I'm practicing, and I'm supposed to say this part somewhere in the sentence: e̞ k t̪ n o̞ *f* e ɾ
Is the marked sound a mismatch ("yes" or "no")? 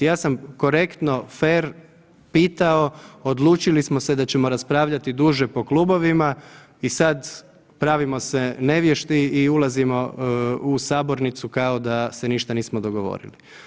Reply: no